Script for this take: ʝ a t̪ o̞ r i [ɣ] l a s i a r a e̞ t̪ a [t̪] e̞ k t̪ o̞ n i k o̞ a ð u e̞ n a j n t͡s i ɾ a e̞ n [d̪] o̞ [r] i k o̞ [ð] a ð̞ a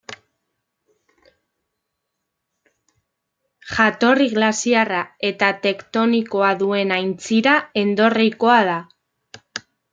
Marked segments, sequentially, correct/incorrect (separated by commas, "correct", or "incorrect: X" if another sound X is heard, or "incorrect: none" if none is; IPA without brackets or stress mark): correct, correct, correct, correct, incorrect: none